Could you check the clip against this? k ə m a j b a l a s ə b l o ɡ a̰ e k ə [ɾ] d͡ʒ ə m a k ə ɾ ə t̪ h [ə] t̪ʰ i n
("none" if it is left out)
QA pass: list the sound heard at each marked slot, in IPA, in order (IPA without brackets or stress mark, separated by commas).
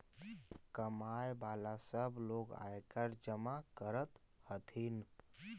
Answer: ɾ, ə